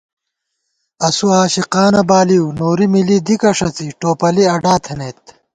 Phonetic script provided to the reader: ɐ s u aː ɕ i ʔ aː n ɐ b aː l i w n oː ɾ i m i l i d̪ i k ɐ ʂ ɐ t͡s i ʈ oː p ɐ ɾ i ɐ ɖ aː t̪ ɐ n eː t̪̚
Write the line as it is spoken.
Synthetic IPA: ɐ s u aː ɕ i q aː n ɐ b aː l i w n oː ɾ i m i l i d̪ i k ɐ ʂ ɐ t͡s i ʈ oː p ɐ l i ɐ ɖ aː t̪ʰ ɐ n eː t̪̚